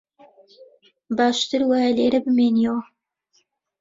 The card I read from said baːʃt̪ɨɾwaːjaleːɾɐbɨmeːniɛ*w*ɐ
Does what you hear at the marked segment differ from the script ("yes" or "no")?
no